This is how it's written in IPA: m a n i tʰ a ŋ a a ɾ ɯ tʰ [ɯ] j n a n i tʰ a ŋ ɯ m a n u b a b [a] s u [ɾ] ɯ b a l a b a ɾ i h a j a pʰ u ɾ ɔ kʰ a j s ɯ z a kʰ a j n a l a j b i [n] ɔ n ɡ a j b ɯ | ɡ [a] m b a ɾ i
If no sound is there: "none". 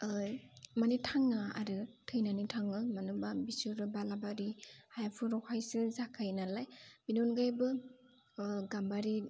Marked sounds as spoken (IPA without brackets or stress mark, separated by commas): ɯ, i, ɾ, n, a